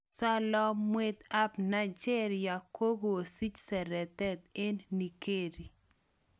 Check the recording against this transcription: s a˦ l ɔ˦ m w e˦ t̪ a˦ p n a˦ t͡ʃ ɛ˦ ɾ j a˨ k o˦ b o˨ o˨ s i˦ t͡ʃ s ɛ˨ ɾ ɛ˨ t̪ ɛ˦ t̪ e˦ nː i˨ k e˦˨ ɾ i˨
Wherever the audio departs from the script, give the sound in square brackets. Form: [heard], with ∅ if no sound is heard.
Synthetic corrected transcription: s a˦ l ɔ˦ m w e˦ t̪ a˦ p n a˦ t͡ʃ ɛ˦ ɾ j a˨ k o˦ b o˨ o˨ s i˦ t͡ʃ s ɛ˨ ɾ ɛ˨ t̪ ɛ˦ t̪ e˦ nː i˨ k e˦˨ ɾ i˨